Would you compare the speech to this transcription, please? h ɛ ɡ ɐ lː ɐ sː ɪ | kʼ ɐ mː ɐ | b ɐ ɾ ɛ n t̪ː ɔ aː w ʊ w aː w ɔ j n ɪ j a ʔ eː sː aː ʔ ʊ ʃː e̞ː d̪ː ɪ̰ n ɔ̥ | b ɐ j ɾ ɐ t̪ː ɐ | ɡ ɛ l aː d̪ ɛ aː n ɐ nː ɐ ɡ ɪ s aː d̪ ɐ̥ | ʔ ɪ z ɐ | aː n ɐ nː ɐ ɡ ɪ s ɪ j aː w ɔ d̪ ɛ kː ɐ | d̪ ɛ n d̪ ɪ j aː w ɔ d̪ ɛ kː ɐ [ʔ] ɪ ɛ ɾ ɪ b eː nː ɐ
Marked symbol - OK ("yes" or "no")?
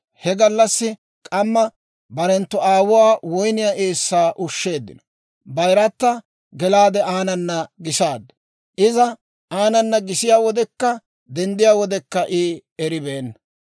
yes